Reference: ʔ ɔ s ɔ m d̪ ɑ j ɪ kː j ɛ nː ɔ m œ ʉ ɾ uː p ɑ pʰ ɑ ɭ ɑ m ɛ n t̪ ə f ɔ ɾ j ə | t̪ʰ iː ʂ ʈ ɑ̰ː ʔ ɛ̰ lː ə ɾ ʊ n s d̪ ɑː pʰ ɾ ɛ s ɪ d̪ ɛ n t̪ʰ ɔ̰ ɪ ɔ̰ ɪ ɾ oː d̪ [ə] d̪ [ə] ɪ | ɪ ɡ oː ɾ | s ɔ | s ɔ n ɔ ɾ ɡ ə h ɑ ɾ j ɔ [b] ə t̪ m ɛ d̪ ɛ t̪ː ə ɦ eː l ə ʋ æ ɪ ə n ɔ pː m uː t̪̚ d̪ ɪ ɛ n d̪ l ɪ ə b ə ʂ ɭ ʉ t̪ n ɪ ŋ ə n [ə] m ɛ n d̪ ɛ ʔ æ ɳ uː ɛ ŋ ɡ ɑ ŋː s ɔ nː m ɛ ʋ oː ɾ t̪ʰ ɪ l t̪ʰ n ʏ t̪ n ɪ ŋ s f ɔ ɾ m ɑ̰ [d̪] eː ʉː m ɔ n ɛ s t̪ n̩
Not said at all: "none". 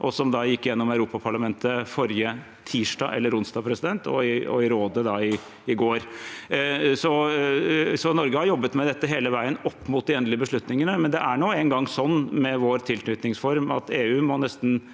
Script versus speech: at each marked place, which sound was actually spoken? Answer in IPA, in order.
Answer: ə, ɑ, bː, ə, t̪

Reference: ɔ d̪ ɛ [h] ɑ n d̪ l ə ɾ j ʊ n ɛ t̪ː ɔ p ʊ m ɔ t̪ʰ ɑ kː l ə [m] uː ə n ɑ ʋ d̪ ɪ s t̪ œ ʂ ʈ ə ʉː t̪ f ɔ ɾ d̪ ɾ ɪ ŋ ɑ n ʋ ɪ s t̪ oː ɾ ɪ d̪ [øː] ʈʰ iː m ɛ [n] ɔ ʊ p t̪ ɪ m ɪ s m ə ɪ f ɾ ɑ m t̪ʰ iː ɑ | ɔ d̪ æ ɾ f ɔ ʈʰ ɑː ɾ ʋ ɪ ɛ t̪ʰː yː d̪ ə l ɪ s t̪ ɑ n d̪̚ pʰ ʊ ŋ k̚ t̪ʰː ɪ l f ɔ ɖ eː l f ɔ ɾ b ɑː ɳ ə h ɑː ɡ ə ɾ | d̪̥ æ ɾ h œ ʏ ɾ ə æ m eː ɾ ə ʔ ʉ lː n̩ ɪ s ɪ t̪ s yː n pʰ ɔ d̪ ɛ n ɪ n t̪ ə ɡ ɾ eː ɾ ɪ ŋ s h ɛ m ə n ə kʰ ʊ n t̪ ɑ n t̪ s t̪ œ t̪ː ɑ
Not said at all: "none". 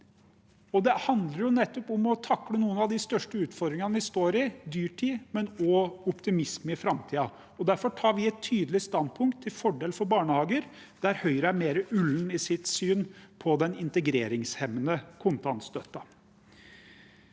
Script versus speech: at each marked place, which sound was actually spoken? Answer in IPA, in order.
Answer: h, n, yː, n

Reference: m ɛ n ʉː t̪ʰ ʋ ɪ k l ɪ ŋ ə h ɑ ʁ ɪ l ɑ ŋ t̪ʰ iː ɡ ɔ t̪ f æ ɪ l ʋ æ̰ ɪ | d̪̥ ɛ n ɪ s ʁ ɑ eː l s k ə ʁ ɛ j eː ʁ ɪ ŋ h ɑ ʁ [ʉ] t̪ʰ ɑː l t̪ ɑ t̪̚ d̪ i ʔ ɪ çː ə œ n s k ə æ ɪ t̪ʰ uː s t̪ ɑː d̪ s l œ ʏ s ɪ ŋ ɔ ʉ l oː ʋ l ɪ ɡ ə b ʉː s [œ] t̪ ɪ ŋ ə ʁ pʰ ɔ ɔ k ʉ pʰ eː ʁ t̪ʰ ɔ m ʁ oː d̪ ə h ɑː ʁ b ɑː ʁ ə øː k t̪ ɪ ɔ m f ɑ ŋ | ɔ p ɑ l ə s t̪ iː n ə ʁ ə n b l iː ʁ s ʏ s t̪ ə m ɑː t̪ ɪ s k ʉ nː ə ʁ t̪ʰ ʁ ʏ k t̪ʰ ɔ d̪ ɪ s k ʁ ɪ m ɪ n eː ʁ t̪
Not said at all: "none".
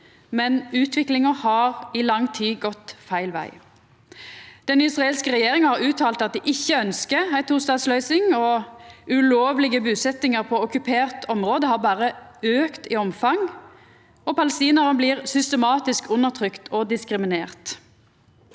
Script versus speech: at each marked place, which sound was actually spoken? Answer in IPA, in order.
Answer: ʉː, ɛ

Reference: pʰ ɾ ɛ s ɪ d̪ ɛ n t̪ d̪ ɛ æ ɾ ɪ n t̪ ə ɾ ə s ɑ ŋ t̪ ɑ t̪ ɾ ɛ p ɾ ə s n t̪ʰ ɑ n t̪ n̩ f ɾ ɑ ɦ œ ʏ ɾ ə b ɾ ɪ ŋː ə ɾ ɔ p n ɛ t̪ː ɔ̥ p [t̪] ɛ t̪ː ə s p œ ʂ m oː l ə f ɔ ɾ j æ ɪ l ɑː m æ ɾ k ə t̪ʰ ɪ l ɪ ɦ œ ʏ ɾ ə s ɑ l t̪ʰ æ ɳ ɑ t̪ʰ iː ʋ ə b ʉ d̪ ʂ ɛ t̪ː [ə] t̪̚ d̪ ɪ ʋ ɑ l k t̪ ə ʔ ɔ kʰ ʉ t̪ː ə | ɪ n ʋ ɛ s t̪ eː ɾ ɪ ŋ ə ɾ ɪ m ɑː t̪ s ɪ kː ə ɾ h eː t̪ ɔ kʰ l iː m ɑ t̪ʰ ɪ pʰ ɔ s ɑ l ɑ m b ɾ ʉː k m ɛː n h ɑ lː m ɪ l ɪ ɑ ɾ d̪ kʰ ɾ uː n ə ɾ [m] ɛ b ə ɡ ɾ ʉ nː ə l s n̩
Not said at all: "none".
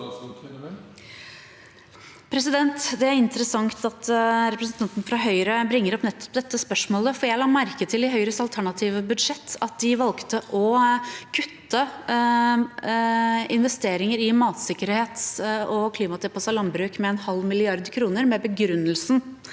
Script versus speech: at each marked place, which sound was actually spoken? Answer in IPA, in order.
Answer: d̪, ɑ, m

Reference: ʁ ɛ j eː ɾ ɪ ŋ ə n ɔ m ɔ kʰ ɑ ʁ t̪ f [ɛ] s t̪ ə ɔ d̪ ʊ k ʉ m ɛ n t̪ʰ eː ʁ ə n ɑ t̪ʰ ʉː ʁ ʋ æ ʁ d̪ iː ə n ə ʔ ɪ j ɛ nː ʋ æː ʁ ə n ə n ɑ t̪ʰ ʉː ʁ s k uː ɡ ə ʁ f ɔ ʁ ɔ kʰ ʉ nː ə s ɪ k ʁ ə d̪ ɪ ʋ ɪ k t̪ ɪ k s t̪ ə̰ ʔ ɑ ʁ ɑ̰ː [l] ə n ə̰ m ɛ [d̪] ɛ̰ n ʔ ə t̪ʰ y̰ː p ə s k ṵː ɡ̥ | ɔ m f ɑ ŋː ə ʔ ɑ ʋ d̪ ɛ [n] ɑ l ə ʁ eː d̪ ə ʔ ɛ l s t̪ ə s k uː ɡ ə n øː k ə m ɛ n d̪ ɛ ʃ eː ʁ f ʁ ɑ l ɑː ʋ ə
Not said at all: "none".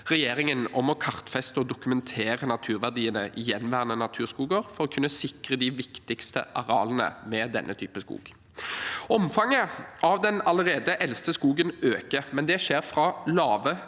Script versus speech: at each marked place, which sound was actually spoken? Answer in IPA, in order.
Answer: ɛ, l, d̪, n

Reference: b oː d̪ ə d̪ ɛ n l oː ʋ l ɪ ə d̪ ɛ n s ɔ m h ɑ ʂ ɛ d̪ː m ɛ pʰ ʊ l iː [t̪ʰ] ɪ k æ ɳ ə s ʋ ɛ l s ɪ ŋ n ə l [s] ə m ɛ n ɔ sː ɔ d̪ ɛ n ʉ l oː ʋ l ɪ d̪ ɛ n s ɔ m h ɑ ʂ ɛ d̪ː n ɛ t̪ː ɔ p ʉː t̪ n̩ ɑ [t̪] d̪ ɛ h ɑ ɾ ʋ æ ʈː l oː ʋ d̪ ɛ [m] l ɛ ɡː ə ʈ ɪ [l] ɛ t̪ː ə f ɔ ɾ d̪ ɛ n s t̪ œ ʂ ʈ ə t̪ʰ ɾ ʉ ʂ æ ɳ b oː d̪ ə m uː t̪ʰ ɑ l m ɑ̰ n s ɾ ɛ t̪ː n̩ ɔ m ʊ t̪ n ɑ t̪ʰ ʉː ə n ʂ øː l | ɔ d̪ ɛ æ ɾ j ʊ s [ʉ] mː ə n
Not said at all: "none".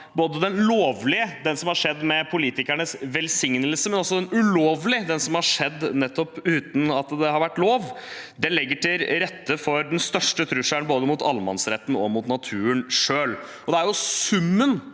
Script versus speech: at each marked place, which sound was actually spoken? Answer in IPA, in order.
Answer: t̪, s, t̪, n, ɾ, ʉ

